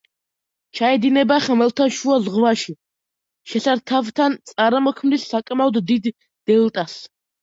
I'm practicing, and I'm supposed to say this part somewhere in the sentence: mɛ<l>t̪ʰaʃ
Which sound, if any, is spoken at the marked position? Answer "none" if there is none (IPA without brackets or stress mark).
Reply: l